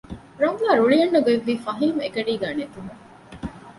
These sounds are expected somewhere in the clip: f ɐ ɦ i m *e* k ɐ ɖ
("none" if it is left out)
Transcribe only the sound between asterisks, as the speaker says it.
e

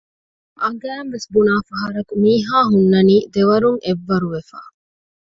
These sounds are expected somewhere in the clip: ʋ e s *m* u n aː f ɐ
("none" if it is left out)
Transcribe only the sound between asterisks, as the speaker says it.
b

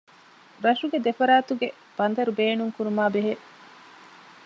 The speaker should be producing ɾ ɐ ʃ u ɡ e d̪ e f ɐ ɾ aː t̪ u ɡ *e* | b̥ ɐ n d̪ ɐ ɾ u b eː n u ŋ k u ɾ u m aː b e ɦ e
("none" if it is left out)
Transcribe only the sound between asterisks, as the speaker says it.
e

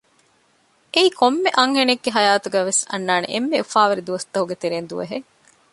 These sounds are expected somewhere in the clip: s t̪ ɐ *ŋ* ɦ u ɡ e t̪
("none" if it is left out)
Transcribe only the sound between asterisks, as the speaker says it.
none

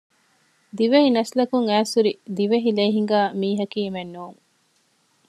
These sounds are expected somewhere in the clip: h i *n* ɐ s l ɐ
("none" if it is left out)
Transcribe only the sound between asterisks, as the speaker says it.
n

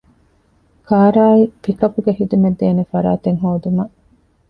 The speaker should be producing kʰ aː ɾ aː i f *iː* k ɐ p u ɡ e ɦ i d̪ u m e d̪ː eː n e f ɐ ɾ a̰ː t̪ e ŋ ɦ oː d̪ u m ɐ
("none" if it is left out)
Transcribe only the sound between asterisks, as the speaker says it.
i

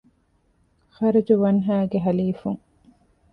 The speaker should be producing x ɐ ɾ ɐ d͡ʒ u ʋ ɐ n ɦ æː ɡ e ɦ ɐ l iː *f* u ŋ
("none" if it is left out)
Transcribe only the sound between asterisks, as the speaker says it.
f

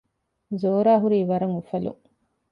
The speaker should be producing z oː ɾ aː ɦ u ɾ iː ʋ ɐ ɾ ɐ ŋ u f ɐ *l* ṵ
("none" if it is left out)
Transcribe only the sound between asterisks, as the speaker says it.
l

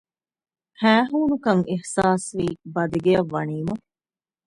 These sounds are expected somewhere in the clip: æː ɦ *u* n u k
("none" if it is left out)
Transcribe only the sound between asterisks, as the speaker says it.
uː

